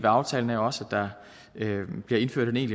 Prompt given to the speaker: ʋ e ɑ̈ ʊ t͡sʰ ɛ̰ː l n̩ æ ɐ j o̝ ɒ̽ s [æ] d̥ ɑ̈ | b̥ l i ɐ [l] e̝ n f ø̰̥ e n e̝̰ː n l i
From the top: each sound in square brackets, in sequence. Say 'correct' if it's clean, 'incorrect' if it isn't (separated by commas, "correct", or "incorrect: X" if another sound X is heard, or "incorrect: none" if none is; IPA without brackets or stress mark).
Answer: correct, incorrect: none